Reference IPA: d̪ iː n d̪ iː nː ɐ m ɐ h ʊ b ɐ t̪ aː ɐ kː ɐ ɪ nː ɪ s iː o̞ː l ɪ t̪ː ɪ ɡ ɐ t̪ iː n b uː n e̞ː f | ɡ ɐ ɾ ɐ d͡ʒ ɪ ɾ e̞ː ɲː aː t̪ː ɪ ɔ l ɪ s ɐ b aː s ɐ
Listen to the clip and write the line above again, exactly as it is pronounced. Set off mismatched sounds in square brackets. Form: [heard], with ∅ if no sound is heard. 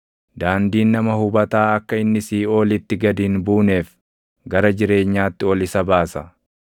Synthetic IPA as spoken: d̪ [aː] n d̪ iː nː ɐ m ɐ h ʊ b ɐ t̪ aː ɐ kː ɐ ɪ nː ɪ s iː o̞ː l ɪ t̪ː ɪ ɡ ɐ [d̪] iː n b uː n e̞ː f | ɡ ɐ ɾ ɐ d͡ʒ ɪ ɾ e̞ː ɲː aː t̪ː ɪ ɔ l ɪ s ɐ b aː s ɐ